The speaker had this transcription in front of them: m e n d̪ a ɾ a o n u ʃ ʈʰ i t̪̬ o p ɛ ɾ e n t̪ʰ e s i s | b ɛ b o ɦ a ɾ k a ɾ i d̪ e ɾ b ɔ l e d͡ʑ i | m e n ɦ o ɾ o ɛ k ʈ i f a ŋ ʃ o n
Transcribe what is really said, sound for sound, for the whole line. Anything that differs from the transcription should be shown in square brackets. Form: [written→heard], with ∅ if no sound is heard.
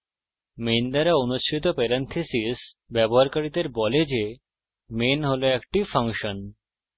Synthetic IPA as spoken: m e n d̪ a ɾ a o n u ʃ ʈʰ i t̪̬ o p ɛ ɾ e n t̪ʰ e s i s | b ɛ b o ɦ a ɾ k a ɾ i d̪ e ɾ b ɔ l e d͡ʑ [i→e] | m e n ɦ o [ɾ→l] o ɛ k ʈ i f a ŋ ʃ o n